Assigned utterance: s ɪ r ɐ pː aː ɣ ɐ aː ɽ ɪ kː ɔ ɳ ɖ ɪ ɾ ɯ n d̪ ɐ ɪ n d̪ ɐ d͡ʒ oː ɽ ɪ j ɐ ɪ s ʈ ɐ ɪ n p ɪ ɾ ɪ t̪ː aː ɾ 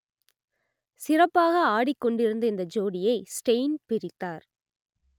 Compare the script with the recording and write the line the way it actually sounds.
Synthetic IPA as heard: s ɪ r ɐ pː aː ɣ ɐ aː ɽ ɪ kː ɔ ɳ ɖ ɪ ɾ ɯ n d̪ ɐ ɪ n d̪ ɐ d͡ʒ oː ɽ ɪ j ɐ ɪ s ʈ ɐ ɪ n p ɪ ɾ ɪ t̪ː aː ɾ